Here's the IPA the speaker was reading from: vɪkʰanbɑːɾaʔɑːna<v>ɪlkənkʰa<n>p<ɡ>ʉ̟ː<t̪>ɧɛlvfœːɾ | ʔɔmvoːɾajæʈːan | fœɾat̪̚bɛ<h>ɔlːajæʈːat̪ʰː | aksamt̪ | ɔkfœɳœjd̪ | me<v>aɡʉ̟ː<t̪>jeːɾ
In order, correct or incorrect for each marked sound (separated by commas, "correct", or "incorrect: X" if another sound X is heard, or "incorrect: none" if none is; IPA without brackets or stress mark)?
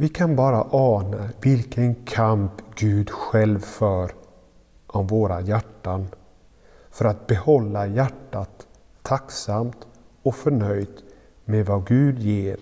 correct, incorrect: m, correct, incorrect: d̪, correct, correct, incorrect: d̪